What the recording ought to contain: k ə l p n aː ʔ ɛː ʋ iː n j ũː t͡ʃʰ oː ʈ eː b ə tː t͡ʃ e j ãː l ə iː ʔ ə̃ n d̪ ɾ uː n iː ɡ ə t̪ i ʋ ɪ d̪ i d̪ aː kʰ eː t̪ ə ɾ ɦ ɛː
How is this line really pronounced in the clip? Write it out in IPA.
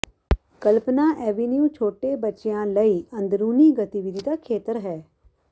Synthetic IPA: k ə l p n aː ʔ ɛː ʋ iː n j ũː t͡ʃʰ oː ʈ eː b ə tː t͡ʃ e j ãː l ə iː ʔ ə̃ n d̪ ɾ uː n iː ɡ ə t̪ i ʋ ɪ d̪ i d̪ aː kʰ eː t̪ ə ɾ ɦ ɛː